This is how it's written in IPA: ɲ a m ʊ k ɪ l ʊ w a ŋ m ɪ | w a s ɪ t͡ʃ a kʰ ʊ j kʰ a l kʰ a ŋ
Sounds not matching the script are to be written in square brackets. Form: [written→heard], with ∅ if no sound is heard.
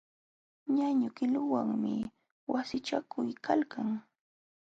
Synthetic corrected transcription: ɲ a [m→ɲ] ʊ k ɪ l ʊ w a ŋ m ɪ | w a s ɪ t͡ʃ a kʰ ʊ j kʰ a l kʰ a ŋ